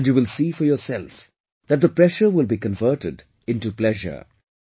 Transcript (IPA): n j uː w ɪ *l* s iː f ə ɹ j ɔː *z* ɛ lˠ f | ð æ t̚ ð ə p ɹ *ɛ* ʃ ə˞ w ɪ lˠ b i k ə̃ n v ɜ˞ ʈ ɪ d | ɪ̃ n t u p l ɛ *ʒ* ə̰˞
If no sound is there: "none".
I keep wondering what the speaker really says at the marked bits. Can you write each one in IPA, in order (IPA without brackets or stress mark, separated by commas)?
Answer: l, s, ɛ, ʒ